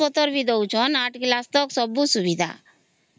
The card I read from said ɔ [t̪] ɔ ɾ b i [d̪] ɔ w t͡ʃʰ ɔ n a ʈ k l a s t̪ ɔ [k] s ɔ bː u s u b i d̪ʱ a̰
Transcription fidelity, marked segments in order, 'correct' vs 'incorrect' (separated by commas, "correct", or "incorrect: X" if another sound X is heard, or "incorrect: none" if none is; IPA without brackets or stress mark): correct, correct, correct